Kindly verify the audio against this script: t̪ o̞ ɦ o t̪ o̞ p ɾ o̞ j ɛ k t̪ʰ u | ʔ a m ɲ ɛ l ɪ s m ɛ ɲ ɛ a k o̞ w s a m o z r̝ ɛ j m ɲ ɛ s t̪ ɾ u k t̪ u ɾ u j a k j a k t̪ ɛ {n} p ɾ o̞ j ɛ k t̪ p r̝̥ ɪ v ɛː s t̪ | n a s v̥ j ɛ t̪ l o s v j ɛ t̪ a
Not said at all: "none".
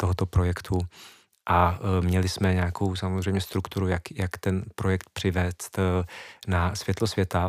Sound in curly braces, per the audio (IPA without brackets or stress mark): n